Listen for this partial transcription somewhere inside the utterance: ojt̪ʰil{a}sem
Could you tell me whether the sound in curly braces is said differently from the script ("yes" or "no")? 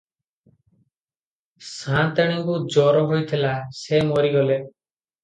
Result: no